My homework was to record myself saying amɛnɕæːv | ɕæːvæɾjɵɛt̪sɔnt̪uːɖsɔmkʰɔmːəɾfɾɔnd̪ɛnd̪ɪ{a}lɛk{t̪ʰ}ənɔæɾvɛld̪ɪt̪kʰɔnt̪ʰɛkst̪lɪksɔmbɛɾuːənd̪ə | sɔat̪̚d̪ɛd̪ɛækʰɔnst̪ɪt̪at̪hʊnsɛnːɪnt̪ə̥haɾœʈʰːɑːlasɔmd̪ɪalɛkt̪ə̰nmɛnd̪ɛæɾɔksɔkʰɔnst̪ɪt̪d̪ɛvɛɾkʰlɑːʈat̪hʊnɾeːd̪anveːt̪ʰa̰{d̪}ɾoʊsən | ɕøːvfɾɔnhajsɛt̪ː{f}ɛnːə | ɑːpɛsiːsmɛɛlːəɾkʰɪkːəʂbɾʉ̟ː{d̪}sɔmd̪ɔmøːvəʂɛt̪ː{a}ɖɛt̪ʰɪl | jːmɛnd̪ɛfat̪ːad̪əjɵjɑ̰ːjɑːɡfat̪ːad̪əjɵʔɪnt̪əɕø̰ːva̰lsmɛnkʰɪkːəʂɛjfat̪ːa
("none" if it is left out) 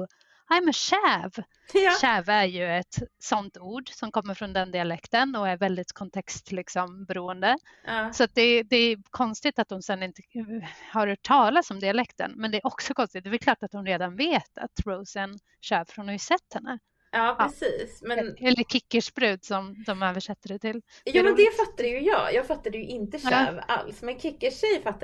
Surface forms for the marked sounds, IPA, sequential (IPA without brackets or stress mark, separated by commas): a, t̪, t̪, h, d̪, ə